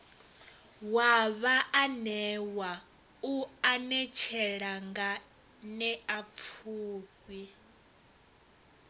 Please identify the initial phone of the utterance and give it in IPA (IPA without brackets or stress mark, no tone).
w